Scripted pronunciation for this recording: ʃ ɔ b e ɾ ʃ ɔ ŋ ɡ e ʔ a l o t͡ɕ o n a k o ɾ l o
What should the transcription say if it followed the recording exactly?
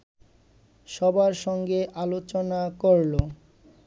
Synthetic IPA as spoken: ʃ ɔ b a ɾ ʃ ɔ ŋ ɡ e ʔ a l o t͡ɕ o n a k o ɾ l o